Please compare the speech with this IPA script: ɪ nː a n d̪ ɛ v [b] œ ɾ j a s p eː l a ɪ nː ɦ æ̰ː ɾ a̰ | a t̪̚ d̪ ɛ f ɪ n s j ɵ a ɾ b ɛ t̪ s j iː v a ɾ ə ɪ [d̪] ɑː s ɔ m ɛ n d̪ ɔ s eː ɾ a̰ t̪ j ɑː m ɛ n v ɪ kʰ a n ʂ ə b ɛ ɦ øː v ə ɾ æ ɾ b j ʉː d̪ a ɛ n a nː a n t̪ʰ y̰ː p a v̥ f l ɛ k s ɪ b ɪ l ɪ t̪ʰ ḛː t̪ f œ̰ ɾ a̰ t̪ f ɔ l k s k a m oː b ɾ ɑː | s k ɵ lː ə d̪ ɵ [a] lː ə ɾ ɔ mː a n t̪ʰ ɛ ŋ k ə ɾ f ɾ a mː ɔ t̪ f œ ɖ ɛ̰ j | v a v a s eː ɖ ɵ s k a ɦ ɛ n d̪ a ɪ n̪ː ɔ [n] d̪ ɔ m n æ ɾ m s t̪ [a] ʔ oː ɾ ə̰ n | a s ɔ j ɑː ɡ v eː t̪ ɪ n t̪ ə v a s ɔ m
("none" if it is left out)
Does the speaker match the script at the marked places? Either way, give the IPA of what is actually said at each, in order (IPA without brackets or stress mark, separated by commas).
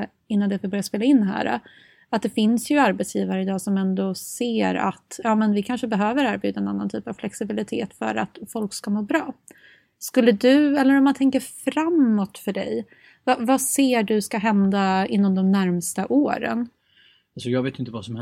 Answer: b, d̪, ɛ, m, a